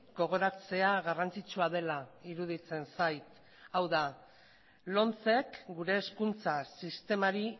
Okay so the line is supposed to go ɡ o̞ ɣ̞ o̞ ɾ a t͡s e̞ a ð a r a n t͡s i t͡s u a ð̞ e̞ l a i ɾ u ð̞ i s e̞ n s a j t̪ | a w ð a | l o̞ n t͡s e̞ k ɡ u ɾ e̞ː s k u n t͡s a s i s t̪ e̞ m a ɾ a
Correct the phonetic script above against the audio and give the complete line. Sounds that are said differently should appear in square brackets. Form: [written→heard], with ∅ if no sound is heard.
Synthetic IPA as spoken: ɡ o̞ ɣ̞ o̞ ɾ a t͡s e̞ a [ð→ɣ] a r a n t͡s i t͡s u a ð̞ e̞ l a i ɾ u ð̞ i [s→t͡s] e̞ n s a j t̪ | a w ð a | l o̞ n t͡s e̞ k ɡ u ɾ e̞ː s k u n t͡s a s i s t̪ e̞ m a ɾ [a→i]

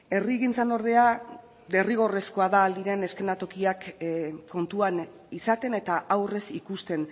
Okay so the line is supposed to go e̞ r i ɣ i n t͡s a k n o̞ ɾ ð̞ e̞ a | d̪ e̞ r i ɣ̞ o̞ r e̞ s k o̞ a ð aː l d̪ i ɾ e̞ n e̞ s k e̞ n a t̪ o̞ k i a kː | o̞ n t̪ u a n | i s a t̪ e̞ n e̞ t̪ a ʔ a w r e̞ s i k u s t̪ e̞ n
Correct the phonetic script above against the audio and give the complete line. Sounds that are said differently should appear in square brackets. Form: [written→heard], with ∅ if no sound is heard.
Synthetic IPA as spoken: e̞ r i ɣ i n t͡s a [k→∅] n o̞ ɾ ð̞ e̞ a | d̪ e̞ r i ɣ̞ o̞ r e̞ s k o̞ a ð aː l d̪ i ɾ e̞ n e̞ s k e̞ n a t̪ o̞ k i a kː | o̞ n t̪ u a n | i s a t̪ e̞ n e̞ t̪ a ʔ a w r e̞ s i k u s t̪ e̞ n

